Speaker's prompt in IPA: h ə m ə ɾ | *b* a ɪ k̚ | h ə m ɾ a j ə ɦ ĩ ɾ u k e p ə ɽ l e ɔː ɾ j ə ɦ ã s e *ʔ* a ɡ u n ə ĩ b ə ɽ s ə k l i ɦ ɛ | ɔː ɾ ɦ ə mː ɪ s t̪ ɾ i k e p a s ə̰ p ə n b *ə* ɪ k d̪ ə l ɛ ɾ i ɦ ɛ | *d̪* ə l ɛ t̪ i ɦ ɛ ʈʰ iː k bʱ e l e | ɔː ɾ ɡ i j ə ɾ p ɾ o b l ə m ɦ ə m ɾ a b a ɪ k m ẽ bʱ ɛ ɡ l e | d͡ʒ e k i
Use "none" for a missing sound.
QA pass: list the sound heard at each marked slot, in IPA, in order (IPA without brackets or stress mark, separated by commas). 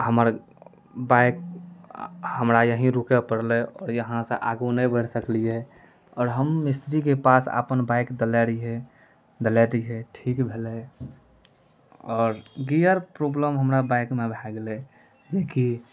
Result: b, ʔ, a, d̪